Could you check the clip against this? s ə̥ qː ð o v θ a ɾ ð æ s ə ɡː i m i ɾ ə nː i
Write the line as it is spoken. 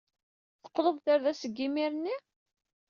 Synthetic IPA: θ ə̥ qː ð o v θ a ɾ ð æ s ə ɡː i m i ɾ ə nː i

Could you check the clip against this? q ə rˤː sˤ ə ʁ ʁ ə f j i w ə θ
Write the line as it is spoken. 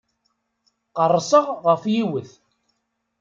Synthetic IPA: q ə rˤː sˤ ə ʁ ʁ ə f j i w ə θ

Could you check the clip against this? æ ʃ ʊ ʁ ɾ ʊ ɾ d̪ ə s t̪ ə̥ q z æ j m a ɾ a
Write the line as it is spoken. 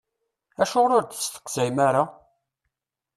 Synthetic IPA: æ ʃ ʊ ʁ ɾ ʊ ɾ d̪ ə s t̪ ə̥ q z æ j m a ɾ a

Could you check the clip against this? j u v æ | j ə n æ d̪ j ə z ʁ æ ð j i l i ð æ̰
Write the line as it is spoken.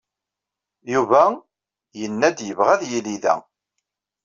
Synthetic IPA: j u v æ | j ə nː æ d̪ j ə v ʁ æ ð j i l i ð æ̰

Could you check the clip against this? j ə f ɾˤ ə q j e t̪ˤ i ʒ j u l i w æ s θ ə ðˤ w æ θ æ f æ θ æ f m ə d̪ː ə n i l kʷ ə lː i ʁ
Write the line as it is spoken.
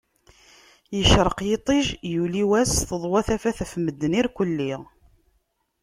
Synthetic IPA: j ə ʃ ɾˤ ə q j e t̪ˤ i ʒ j u l i w æ s θ ə ðˤ w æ θ æ f æ θ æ f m ə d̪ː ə n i ɾ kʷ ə lː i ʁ

